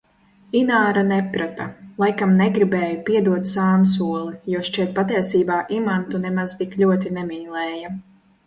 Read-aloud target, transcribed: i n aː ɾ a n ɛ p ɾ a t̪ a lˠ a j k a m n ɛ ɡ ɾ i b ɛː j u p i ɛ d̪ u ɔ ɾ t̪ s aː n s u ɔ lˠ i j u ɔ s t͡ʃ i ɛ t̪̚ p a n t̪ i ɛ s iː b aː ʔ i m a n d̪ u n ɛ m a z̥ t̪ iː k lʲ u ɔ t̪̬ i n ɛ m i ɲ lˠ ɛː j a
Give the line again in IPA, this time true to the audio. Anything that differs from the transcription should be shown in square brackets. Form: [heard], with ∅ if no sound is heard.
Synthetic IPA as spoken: i n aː ɾ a n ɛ p ɾ a t̪ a lˠ a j k a m n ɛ ɡ ɾ i b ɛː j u p i ɛ d̪ u ɔ [∅] t̪ s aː n s u ɔ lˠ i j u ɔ [ʃ] t͡ʃ i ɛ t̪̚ p a [∅] t̪ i ɛ s iː b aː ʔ i m a n [t̪] u n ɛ m a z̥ t̪ [i] k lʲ u ɔ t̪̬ i n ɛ m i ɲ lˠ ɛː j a